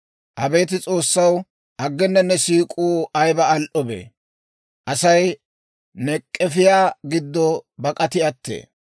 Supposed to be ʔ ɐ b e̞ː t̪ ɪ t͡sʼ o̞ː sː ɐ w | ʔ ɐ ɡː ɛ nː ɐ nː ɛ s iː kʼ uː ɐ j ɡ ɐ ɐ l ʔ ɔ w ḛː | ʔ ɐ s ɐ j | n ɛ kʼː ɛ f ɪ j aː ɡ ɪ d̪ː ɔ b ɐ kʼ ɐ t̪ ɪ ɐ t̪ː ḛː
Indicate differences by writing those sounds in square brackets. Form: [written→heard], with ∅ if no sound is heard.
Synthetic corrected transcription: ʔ ɐ b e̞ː t̪ ɪ t͡sʼ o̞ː sː ɐ w | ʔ ɐ ɡː ɛ nː ɐ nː ɛ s iː kʼ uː ɐ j [ɡ→b] ɐ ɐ l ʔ ɔ [w→b] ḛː | ʔ ɐ s ɐ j | n ɛ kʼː ɛ f ɪ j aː ɡ ɪ d̪ː ɔ b ɐ kʼ ɐ t̪ ɪ ɐ t̪ː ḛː